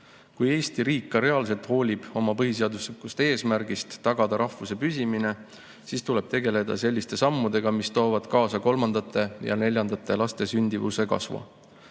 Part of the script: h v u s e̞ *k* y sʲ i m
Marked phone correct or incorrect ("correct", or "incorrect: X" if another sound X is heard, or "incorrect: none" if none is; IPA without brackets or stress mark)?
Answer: incorrect: p